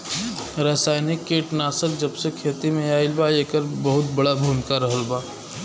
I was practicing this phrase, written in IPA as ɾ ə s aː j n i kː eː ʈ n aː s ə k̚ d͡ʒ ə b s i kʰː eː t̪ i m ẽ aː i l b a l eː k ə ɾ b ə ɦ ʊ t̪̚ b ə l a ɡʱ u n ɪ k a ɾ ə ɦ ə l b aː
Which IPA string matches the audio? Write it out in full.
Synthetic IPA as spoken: ɾ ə s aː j n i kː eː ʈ n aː s ə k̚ d͡ʒ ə b s e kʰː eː t̪ i m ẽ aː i l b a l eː k ə ɾ b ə ɦ ʊ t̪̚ b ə ɽ a bʱ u m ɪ k a ɾ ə ɦ ə l b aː